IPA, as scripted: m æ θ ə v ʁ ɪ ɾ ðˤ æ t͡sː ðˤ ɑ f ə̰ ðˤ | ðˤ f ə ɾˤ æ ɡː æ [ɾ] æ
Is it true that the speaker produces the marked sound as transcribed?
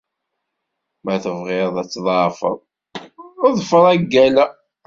no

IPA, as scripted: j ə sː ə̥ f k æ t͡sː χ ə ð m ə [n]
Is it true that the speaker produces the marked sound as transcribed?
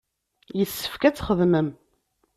no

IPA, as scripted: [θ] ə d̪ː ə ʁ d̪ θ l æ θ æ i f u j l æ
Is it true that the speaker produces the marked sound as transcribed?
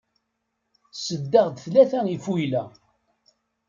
no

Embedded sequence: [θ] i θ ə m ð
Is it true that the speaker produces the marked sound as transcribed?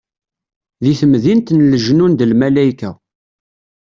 no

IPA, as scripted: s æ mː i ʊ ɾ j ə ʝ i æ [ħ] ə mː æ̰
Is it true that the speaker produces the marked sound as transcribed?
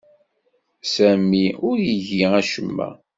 no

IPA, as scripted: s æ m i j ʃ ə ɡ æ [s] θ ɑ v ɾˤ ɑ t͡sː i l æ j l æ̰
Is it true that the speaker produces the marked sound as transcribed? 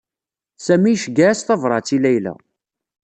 yes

